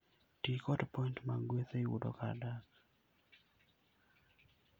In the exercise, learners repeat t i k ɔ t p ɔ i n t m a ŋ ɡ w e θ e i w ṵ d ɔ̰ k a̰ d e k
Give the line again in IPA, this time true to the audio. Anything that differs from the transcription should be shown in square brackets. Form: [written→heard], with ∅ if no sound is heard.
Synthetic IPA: t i k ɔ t p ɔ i n t m a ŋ ɡ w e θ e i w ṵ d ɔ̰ k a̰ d [e→a] k